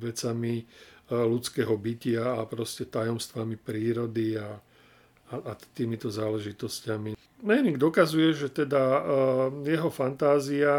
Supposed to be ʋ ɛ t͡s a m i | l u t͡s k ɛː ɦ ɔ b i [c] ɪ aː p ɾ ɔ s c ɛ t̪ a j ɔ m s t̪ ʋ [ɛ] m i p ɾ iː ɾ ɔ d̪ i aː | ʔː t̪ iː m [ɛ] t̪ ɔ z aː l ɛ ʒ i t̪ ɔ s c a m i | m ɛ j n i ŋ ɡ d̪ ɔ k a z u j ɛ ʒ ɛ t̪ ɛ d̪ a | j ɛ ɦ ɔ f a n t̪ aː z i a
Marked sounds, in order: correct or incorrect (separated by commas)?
correct, incorrect, incorrect